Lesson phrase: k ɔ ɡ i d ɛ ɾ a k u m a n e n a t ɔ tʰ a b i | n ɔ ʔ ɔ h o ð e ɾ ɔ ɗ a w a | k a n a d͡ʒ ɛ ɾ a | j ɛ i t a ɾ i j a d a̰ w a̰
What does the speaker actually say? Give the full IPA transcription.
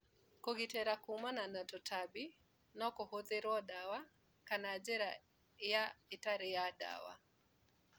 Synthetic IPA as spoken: k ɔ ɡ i t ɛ ɾ a k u m a n a n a t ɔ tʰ a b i | n ɔ k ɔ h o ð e ɾ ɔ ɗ a w a | k a n a d͡ʒ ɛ ɾ a | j a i t a ɾ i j a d a̰ w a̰